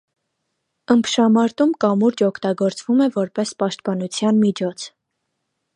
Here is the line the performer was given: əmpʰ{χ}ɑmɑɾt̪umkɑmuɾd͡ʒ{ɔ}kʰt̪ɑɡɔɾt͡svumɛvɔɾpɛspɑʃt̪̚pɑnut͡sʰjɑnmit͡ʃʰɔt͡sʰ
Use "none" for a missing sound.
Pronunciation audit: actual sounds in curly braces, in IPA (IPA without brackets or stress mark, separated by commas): ʃ, ɔ